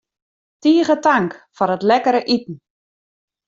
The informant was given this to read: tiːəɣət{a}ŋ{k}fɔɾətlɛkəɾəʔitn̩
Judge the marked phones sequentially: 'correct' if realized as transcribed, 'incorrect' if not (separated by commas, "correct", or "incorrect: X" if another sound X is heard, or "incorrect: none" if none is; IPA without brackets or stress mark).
correct, correct